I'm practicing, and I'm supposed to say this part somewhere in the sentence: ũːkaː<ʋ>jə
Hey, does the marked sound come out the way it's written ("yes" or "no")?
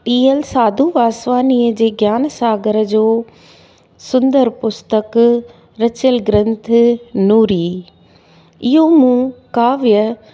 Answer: yes